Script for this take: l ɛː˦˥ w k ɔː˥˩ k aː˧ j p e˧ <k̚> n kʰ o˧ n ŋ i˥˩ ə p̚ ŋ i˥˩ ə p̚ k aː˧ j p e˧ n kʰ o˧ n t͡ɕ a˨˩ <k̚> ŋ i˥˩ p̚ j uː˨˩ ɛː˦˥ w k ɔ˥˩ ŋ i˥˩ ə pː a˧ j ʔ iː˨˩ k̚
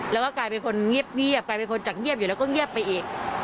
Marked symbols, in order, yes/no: no, yes

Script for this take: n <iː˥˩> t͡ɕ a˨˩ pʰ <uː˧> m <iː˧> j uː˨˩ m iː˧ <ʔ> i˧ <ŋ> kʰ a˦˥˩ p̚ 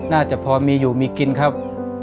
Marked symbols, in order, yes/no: no, no, yes, no, no

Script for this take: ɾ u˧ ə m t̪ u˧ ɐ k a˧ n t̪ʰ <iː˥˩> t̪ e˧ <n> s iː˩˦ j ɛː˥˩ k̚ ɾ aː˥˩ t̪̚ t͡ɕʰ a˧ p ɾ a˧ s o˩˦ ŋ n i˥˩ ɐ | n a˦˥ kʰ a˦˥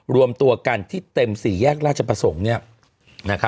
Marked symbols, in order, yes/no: yes, no

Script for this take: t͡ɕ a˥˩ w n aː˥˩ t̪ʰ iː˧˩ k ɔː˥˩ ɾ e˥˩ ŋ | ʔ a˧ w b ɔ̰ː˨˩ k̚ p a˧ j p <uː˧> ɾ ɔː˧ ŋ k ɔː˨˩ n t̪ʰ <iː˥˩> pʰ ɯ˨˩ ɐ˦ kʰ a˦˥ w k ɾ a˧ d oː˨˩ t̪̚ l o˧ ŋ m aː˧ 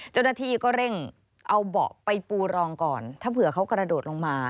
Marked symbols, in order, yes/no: yes, no

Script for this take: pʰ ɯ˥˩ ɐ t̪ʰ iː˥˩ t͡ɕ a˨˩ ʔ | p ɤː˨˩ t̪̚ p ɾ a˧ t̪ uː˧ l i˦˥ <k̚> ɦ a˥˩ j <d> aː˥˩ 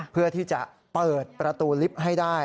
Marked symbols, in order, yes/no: no, yes

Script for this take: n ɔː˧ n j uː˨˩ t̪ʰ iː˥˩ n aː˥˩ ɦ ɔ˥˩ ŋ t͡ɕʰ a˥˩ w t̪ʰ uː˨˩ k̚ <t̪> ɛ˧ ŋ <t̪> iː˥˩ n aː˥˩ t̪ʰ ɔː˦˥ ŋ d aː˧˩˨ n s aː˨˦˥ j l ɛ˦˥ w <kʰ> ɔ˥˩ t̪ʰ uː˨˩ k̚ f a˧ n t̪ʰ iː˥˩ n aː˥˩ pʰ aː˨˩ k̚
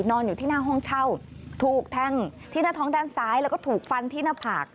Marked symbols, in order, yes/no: no, no, no

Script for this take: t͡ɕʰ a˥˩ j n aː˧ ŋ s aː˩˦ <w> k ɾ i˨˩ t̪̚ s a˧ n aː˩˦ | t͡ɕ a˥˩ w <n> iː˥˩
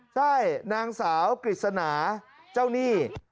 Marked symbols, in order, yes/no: yes, yes

